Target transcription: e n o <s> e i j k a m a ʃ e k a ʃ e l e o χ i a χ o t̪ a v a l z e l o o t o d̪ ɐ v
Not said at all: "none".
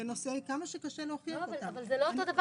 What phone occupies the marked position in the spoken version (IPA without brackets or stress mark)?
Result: s